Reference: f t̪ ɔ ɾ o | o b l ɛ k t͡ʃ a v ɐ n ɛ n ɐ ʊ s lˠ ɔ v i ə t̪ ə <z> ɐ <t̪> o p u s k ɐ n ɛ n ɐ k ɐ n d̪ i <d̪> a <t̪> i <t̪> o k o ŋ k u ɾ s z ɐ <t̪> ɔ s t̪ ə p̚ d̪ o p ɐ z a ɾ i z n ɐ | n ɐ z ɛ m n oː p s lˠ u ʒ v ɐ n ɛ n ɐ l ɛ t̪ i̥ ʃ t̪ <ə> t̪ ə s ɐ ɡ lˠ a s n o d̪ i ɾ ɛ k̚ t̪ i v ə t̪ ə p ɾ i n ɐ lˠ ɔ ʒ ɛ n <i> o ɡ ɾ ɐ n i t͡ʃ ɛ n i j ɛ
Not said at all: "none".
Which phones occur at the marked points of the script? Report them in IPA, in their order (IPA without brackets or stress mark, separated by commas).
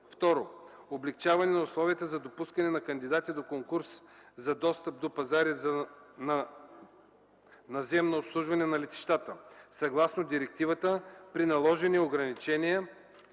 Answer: z, d̪, d̪, t̪, d̪, d̪, a, i